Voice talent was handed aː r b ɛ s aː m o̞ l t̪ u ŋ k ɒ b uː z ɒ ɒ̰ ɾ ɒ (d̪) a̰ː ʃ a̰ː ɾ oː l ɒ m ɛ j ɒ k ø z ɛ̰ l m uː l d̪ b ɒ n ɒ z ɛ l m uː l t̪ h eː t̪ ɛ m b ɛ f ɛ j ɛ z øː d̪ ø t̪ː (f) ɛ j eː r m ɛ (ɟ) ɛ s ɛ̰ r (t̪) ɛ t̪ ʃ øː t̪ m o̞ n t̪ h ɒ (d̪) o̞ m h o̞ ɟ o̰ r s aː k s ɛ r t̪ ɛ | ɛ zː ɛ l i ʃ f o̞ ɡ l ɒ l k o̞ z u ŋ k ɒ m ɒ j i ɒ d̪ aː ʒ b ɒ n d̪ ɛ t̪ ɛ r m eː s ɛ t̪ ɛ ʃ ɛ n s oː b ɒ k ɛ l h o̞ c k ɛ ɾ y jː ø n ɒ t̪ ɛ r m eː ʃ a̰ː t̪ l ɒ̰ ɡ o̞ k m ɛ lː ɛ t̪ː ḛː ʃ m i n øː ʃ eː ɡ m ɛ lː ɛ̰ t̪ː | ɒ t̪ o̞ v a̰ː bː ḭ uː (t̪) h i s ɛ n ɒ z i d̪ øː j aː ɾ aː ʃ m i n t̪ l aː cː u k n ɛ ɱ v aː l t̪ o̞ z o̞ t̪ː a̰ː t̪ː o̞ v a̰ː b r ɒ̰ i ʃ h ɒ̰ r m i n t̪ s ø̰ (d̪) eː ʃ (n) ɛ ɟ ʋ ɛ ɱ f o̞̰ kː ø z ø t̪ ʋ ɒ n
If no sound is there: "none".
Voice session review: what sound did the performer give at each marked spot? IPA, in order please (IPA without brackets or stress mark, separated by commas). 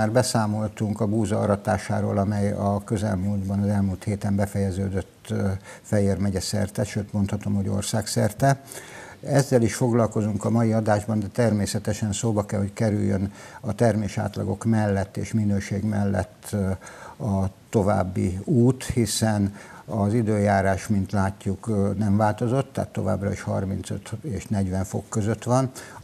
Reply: t̪, f, ɟ, t̪, t̪, t̪, t̪, n